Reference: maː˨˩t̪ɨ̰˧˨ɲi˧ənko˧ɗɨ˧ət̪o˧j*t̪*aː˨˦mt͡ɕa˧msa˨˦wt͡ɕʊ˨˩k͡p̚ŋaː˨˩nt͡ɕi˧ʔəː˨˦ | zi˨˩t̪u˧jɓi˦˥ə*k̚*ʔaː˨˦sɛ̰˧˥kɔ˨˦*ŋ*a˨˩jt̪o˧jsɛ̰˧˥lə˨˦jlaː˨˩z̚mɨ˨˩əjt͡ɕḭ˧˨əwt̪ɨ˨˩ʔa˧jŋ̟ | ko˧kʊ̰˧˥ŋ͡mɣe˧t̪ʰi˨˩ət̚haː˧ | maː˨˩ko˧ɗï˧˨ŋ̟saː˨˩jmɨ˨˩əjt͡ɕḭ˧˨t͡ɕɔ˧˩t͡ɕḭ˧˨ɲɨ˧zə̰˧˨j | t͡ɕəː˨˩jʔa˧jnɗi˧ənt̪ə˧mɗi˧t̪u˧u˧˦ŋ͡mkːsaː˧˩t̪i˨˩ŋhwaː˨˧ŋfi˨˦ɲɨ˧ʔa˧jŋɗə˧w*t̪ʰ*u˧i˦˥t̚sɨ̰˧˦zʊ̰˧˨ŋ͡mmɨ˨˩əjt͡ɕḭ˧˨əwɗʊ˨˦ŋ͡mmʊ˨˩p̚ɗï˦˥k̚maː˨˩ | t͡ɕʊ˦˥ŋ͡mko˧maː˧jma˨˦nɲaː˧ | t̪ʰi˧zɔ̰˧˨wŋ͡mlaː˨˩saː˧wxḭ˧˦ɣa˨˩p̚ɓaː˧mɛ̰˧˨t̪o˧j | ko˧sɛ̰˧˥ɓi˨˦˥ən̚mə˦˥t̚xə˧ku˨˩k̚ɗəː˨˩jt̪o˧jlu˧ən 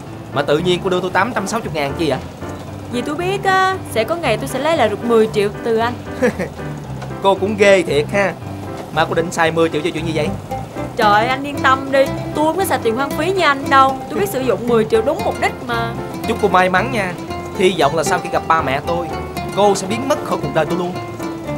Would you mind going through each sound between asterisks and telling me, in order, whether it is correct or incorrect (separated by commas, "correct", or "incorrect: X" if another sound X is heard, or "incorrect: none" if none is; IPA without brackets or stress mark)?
correct, incorrect: t̚, correct, incorrect: t̪